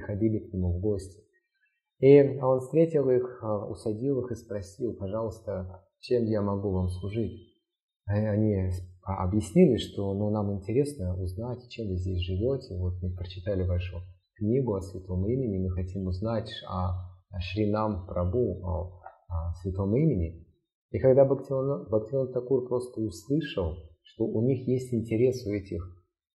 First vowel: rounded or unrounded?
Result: unrounded